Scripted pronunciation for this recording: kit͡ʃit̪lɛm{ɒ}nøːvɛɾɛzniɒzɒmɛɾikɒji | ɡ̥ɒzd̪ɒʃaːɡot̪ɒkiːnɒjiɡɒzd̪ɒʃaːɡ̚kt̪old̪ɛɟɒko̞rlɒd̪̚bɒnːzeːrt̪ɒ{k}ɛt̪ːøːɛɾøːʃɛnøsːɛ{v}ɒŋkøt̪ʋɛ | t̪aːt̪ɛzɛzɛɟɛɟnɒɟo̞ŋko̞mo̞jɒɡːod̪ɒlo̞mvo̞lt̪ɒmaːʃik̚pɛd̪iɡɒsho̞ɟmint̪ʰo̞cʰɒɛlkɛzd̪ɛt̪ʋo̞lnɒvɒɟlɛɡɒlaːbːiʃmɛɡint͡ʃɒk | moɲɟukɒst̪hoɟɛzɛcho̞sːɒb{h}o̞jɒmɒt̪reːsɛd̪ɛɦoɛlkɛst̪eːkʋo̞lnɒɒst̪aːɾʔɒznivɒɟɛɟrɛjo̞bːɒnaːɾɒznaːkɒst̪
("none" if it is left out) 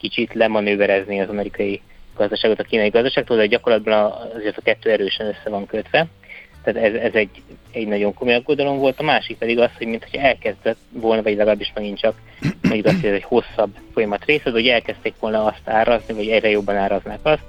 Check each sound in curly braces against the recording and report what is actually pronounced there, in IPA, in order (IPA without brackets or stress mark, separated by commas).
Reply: ɒ, k, v, f